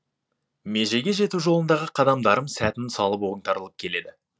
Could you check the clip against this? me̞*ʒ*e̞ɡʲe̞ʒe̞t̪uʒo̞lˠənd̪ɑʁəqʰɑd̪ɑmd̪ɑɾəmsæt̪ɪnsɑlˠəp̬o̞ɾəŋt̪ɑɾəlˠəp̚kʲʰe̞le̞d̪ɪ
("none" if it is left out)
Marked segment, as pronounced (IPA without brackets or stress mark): ʒ